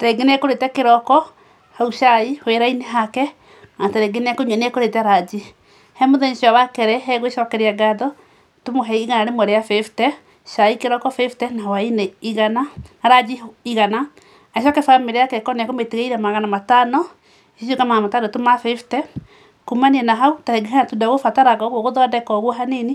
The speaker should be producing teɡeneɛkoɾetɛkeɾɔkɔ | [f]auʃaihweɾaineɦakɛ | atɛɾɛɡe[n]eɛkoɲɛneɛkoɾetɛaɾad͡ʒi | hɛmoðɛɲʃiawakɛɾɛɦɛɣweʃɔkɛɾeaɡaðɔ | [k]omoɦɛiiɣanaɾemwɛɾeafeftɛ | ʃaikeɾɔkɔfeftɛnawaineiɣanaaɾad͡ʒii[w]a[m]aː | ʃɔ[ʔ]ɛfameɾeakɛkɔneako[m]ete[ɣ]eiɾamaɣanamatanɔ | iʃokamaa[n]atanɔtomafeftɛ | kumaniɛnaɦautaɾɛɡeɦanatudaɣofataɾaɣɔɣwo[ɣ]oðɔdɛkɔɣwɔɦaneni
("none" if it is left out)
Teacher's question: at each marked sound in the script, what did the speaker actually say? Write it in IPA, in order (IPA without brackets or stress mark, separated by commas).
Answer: h, n, t, ɣ, n, k, m, ɣ, m, ɣ